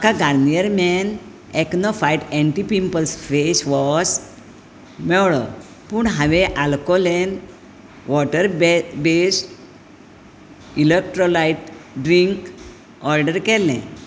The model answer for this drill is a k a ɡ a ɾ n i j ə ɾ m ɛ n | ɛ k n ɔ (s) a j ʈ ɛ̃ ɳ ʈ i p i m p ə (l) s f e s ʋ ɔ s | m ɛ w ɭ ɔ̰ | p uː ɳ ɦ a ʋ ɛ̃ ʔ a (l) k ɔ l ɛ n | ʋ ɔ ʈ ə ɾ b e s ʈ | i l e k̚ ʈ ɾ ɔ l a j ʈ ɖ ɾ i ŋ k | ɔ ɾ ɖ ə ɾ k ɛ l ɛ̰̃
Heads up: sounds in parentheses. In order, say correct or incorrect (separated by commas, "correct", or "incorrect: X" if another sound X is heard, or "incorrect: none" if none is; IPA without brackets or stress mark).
incorrect: f, correct, correct